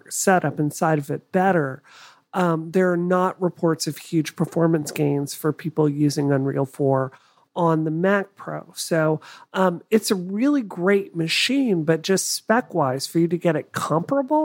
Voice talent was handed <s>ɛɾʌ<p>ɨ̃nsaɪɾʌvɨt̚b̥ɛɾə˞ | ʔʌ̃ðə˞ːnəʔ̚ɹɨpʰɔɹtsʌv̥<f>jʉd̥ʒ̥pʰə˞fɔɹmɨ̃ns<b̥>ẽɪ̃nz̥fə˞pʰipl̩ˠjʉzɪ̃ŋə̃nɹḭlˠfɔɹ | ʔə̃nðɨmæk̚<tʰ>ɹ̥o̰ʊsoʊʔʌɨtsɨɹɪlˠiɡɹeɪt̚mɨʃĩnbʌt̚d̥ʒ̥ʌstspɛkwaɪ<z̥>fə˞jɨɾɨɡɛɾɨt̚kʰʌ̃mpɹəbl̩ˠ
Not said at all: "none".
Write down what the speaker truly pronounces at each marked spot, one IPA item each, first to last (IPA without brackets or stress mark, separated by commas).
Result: s, p, h, ɡ̥, pʰ, z̥